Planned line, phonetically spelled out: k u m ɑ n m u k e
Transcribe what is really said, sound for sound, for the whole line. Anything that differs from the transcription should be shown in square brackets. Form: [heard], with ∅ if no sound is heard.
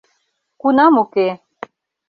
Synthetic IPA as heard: k u [n] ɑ [∅] m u k e

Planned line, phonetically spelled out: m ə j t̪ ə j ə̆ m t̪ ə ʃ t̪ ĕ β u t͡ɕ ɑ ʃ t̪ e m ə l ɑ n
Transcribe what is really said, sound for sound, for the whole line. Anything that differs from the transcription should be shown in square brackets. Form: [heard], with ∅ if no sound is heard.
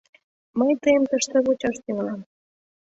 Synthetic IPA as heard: m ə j t̪ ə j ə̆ m t̪ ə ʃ t̪ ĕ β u t͡ɕ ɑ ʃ t̪ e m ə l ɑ [m]

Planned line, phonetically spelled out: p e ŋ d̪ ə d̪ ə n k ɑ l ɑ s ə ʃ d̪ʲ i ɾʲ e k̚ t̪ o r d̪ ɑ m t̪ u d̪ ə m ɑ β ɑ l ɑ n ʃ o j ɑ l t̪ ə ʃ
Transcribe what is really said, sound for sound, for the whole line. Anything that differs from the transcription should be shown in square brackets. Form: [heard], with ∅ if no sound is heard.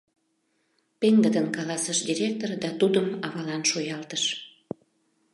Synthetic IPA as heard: p e ŋ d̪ ə d̪ ə n k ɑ l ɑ s ə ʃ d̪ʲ i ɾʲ e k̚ t̪ o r d̪ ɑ [∅] t̪ u d̪ ə m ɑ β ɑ l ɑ n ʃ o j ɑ l t̪ ə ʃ

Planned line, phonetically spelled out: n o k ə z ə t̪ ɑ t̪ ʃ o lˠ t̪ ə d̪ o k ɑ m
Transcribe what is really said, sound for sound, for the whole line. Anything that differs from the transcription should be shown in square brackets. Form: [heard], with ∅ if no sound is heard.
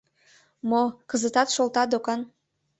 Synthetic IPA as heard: [m] o k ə z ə t̪ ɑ t̪ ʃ o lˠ t̪ [ɑ] d̪ o k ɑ [n]

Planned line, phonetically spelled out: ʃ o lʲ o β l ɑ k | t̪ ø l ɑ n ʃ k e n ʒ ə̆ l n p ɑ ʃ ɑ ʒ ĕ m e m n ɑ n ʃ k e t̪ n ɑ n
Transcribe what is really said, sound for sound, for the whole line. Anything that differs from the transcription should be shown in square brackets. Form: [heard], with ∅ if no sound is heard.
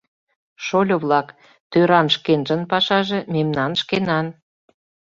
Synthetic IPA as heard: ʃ o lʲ o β l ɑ k | t̪ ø [ɾ] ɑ n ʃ k e n ʒ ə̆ [∅] n p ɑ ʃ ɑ ʒ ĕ m e m n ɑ n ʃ k e [∅] n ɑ n

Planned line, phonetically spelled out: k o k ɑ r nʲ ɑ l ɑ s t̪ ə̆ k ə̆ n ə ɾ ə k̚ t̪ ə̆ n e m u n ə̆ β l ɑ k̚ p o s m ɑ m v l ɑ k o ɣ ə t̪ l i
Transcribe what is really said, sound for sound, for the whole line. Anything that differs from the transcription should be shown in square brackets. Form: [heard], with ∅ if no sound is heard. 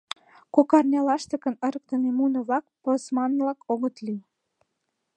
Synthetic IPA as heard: k o k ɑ r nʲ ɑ l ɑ [ʃ] t̪ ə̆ k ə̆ n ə ɾ ə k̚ t̪ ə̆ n e m u n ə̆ β l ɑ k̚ p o s m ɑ [n] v l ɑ k o ɣ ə t̪ l i

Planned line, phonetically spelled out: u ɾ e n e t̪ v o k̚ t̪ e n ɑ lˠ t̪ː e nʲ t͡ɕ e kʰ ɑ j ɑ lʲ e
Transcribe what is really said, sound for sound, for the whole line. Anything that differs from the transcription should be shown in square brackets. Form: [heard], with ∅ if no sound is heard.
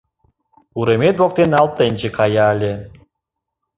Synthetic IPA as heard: u ɾ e [m] e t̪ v o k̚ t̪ e n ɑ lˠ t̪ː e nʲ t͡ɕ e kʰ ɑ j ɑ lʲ e

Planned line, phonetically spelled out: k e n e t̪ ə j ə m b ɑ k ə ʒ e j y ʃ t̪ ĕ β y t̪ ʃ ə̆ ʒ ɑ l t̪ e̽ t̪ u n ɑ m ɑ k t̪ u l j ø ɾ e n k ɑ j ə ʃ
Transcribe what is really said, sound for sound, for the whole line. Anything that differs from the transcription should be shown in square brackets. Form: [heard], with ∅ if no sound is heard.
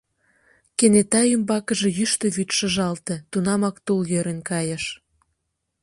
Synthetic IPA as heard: k e n e t̪ [ɑ] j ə m b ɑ k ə ʒ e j y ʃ t̪ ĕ β y t̪ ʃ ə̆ ʒ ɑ l t̪ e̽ t̪ u n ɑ m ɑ k t̪ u l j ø ɾ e n k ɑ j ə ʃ

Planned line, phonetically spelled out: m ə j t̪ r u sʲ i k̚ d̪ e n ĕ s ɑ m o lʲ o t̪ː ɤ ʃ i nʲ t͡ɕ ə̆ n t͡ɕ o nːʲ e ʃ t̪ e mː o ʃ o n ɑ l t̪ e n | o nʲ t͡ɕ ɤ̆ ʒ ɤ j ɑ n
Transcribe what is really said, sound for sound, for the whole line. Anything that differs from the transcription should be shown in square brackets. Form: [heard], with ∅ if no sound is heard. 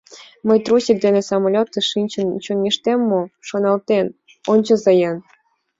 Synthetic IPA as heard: m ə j t̪ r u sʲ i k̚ d̪ e n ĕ s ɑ m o lʲ o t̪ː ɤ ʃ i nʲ t͡ɕ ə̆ n t͡ɕ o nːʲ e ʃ t̪ e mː o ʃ o n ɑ l t̪ e n | o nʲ t͡ɕ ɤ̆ [z] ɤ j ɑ n

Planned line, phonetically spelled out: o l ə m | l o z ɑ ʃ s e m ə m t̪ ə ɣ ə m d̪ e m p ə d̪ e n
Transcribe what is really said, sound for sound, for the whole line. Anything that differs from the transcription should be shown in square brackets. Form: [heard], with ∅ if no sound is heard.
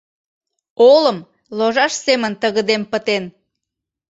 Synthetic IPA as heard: o l ə m | l o [ʒ] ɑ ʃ s e m ə [n] t̪ ə ɣ ə [∅] d̪ e m p ə [t̪] e n

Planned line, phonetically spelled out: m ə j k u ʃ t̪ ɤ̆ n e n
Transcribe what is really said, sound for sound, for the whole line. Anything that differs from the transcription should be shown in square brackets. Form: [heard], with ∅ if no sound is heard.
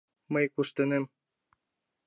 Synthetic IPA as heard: m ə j k u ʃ t̪ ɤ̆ n e [m]

